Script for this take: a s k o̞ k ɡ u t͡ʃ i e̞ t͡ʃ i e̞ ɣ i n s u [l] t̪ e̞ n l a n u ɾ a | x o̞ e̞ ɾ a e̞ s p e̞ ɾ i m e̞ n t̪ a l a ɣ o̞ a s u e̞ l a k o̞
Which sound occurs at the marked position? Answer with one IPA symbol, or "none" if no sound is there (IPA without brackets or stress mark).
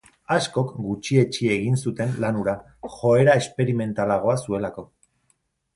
none